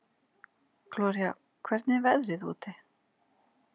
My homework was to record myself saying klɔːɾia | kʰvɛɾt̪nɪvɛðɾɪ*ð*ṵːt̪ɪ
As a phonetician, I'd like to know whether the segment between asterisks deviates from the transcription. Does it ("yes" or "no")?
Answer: no